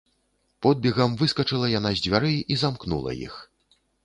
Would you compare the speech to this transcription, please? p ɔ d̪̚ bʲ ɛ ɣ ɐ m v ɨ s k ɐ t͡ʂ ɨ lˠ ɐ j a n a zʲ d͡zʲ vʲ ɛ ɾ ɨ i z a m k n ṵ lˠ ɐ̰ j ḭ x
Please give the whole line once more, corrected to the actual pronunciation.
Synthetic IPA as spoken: p ɔ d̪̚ bʲ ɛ ɣ ɐ m v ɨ s k ɐ t͡ʂ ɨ lˠ ɐ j a n a zʲ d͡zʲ vʲ a ɾ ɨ i z a m k n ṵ lˠ ɐ̰ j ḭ x